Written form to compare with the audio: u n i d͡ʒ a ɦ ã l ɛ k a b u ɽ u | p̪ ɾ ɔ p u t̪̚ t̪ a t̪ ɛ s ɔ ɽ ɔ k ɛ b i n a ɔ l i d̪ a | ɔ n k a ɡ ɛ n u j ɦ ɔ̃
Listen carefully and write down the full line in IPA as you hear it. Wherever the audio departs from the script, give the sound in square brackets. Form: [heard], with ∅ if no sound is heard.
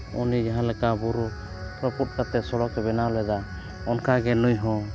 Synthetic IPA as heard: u n i d͡ʒ a ɦ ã l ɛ k a b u [ɾ] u | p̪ ɾ ɔ p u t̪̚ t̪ a t̪ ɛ s ɔ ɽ ɔ k ɛ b [ɛ] n a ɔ l [ɛ] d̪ a | ɔ n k a ɡ ɛ n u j ɦ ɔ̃